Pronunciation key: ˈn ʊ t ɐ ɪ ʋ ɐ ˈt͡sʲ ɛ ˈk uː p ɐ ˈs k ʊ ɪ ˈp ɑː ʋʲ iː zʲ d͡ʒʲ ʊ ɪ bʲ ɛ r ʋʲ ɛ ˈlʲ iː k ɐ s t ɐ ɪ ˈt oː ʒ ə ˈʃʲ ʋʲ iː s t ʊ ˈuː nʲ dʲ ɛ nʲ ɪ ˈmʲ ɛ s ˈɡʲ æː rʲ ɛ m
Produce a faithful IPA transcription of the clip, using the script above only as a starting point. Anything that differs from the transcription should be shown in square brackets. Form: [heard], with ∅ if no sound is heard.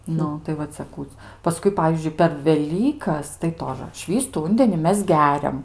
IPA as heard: ˈn ʊ t ɐ ɪ ʋ ɐ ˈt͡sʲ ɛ ˈk uː p ɐ ˈs k ʊ ɪ ˈp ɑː ʋʲ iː zʲ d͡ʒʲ ʊ ɪ [pʲ] ɛ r ʋʲ ɛ ˈlʲ iː k ɐ s t ɐ ɪ ˈt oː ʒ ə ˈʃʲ ʋʲ iː s t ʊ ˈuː nʲ dʲ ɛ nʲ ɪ ˈmʲ ɛ s ˈɡʲ æː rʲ ɛ m